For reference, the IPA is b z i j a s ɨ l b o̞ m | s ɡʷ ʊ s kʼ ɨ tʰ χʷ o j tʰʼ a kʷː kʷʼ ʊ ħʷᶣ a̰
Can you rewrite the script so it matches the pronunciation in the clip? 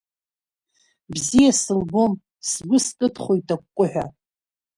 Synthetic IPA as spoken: b z i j a s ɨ l b o̞ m | s ɡʷ ʊ s kʼ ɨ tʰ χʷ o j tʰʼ a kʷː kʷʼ ʊ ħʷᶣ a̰